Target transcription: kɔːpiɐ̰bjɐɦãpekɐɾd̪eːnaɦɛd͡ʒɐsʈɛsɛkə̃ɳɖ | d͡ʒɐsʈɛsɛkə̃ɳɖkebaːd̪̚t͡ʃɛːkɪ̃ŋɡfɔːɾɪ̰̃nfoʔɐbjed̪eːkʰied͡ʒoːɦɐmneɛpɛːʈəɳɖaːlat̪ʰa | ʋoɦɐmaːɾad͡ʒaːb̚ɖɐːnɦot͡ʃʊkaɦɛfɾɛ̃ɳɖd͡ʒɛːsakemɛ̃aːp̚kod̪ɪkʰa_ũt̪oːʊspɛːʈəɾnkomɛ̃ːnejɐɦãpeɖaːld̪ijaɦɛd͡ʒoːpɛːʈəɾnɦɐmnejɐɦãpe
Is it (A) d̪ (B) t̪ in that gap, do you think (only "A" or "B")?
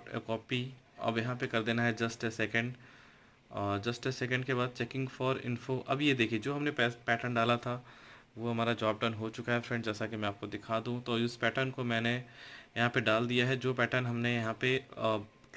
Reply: A